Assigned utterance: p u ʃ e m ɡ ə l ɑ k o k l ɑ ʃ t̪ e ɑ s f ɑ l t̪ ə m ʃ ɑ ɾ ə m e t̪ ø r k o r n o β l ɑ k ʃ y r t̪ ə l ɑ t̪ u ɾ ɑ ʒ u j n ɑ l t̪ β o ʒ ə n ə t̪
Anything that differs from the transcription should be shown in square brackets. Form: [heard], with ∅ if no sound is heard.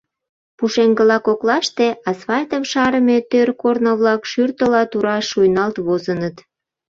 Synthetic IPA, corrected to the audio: p u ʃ e [ŋ] ɡ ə l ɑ k o k l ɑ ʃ t̪ e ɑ s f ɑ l t̪ ə m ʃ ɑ ɾ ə m e t̪ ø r k o r n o β l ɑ k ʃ y r t̪ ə l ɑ t̪ u ɾ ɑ [ʃ] u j n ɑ l t̪ β o [z] ə n ə t̪